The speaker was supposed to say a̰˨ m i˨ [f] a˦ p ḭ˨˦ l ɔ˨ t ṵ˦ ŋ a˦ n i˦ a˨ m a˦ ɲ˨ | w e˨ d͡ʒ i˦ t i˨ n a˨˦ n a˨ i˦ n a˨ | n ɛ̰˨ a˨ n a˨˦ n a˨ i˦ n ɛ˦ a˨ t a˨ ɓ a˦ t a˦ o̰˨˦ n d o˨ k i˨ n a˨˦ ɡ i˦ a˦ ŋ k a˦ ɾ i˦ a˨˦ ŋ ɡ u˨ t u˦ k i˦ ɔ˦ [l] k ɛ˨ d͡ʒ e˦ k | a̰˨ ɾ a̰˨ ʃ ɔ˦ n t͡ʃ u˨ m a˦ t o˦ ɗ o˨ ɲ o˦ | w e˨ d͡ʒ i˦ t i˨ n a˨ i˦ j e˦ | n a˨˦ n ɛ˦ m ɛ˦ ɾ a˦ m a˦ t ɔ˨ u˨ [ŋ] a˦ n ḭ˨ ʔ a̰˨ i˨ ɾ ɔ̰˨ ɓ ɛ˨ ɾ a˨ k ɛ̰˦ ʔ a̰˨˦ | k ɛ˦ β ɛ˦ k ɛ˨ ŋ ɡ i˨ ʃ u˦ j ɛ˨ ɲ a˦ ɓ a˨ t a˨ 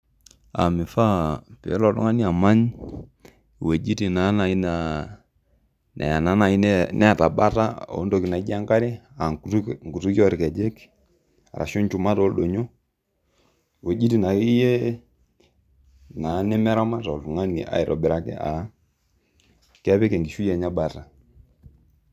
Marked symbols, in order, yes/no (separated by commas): yes, no, yes